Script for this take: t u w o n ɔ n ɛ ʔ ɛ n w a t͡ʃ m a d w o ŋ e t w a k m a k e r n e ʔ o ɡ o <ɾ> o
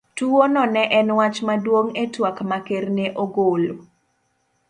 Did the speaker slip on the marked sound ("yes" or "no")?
yes